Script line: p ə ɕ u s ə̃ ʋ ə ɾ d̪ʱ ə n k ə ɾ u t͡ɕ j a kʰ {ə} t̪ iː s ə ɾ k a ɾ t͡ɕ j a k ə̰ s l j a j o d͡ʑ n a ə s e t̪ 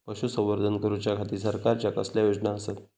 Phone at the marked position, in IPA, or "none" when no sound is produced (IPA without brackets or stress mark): a